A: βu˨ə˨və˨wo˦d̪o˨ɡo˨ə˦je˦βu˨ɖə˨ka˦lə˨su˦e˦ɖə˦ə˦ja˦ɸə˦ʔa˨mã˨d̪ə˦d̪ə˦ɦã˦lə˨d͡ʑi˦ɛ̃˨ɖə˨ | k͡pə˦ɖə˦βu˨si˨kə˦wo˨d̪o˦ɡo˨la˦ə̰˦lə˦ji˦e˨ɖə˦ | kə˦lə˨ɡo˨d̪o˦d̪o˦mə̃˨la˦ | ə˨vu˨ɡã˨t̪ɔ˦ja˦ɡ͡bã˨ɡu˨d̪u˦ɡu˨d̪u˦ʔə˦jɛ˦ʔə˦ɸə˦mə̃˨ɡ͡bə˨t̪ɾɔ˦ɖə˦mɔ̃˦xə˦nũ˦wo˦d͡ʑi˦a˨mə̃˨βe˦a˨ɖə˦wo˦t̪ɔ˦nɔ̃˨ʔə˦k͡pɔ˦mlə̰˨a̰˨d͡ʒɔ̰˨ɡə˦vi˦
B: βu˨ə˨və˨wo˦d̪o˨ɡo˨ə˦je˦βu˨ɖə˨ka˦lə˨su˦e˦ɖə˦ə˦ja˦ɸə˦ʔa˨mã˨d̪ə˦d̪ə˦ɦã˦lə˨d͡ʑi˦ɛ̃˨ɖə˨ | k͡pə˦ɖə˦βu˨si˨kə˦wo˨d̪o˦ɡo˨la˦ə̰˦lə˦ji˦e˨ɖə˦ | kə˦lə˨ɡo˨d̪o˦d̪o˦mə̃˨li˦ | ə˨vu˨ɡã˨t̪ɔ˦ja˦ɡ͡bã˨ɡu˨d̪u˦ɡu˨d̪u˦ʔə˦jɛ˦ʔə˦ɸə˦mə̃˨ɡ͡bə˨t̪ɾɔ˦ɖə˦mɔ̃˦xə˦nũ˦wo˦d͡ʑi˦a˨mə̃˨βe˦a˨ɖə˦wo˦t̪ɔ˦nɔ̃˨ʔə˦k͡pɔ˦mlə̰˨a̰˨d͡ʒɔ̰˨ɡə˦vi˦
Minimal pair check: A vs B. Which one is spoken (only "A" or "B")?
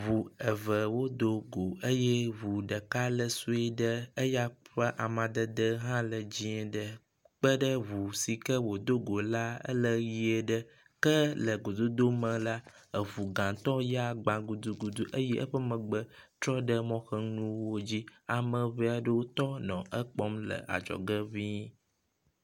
A